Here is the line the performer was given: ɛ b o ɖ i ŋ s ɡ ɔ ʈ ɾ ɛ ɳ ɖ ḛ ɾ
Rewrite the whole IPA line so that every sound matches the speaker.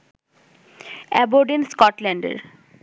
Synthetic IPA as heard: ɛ b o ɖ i n s k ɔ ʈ l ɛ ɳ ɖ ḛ ɾ